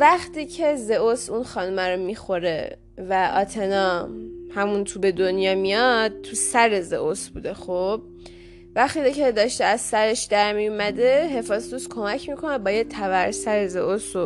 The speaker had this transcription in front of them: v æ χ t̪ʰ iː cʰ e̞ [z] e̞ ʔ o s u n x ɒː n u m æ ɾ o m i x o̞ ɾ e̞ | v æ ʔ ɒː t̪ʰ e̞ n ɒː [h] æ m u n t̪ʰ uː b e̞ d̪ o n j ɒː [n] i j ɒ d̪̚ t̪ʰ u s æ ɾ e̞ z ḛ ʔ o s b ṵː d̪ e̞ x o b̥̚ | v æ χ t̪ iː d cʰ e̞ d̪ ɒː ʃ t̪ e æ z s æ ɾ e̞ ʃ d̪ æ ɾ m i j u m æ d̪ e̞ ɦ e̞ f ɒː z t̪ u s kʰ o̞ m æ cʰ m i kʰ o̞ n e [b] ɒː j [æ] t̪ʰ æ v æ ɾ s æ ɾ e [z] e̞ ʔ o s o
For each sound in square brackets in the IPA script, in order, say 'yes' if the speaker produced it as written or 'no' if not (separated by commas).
yes, yes, no, yes, no, yes